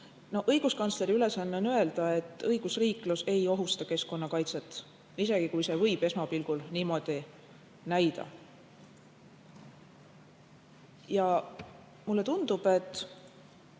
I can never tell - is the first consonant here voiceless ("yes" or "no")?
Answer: no